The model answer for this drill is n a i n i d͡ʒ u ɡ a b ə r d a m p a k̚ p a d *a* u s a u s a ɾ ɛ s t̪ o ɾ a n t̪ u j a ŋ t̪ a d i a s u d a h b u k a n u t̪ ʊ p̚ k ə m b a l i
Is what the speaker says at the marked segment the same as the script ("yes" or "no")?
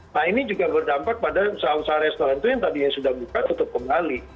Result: yes